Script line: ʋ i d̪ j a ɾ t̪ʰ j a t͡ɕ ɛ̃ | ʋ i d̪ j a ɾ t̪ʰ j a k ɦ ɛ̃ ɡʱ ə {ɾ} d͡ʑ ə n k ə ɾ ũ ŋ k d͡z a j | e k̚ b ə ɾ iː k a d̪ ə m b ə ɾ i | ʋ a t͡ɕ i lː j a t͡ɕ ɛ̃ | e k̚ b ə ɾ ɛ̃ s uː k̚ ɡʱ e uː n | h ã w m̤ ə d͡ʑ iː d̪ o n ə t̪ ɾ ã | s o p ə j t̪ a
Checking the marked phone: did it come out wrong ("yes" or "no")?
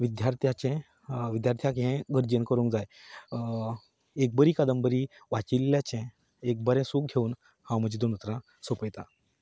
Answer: no